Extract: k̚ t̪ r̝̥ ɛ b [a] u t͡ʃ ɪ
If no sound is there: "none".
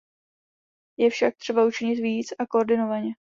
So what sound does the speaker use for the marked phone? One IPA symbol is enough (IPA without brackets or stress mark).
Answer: a